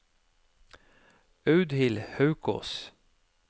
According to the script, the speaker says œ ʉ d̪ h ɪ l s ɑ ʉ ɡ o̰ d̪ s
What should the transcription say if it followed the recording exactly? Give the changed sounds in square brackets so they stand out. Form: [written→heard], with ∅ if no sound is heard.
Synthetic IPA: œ ʉ d̪ h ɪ l [s→h] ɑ ʉ [ɡ→k] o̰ [d̪→∅] s